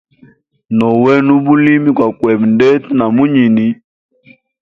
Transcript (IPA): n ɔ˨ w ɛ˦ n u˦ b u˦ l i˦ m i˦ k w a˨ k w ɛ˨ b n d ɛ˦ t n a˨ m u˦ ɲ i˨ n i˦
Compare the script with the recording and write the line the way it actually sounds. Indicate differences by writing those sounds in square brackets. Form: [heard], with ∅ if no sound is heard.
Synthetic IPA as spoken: n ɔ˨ w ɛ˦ n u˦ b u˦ l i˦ m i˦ k w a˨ k w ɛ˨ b n d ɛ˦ t n a˨ m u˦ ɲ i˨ n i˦